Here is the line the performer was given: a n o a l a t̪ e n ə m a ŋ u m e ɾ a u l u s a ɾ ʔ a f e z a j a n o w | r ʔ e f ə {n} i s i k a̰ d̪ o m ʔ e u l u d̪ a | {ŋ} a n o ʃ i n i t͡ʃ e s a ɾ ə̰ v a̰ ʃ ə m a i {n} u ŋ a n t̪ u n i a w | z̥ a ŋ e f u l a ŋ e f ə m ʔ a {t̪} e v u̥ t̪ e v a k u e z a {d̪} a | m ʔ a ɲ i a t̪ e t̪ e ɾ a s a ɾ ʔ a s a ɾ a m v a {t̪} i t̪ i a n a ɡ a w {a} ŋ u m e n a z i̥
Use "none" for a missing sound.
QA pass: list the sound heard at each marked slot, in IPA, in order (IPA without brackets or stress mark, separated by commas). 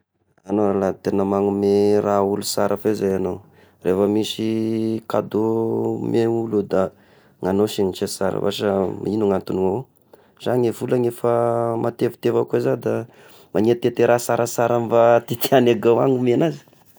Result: m, ŋ, n, t̪, d̪, t̪, a